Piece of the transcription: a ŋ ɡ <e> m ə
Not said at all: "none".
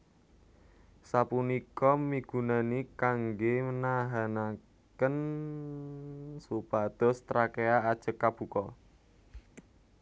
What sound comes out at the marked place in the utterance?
e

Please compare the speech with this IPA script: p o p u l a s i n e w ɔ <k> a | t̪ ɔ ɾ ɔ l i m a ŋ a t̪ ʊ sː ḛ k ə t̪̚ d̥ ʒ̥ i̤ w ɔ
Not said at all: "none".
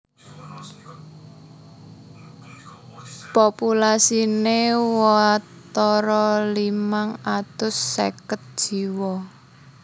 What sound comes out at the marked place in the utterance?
none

